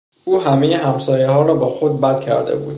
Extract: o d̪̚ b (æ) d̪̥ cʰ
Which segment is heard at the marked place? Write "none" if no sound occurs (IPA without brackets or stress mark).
æ